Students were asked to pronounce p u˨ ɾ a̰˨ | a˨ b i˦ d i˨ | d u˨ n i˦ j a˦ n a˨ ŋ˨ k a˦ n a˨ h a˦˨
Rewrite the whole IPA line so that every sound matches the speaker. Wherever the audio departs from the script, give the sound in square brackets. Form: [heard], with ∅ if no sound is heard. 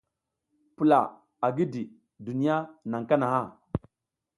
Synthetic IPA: p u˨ [l] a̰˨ | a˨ [ɡ] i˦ d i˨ | d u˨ n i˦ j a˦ n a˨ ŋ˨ k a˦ n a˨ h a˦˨